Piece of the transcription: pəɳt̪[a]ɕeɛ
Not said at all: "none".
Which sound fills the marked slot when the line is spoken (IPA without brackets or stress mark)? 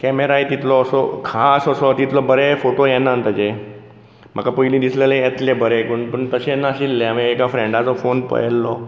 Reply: ə